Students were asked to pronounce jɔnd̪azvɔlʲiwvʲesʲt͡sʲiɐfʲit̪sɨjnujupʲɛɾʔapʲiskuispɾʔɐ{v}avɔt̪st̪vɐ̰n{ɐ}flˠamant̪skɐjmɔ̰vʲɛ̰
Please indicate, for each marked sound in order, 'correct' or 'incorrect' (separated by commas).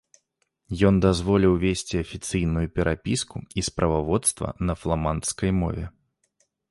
correct, correct